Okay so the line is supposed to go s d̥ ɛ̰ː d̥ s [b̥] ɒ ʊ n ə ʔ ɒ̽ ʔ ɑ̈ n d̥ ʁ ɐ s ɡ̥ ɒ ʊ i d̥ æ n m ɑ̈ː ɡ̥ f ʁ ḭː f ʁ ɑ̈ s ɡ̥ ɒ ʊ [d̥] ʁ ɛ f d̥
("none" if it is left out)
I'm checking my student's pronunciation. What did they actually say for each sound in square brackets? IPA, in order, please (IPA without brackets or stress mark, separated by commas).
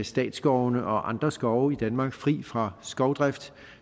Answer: ɡ̥, d̥